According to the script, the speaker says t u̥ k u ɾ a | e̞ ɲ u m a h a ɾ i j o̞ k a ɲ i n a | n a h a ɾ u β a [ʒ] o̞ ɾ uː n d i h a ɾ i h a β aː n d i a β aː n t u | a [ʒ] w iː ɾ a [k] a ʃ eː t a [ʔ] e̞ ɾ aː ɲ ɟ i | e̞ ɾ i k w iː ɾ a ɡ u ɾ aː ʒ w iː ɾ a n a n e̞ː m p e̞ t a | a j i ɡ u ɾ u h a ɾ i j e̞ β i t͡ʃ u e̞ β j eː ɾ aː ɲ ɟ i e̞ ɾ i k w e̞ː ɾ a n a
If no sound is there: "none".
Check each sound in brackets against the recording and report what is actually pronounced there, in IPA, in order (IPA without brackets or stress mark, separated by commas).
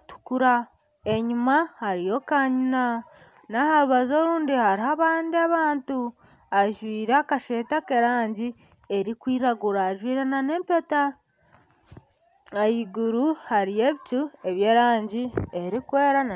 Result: z, ʒ, k, k